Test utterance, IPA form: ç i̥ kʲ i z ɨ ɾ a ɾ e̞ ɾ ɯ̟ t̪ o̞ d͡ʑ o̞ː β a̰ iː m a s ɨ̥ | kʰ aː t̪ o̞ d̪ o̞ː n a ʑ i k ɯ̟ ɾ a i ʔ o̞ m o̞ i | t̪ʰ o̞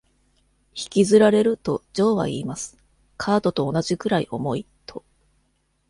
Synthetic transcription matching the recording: ç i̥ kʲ i z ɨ ɾ a ɾ e̞ ɾ ɯ̟ t̪ o̞ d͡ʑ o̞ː β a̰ iː m a s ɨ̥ | kʰ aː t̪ o̞ t̪ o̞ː n a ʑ i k ɯ̟ ɾ a i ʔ o̞ m o̞ i | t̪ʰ o̞